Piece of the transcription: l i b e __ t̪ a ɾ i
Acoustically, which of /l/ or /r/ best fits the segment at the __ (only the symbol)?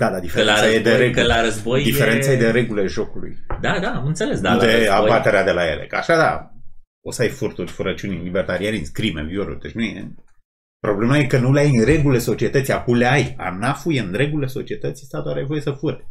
r